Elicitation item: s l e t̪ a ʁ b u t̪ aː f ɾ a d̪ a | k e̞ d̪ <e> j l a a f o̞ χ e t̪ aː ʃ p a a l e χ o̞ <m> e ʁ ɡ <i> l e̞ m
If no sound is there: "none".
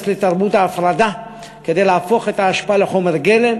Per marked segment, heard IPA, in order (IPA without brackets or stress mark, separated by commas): e, m, e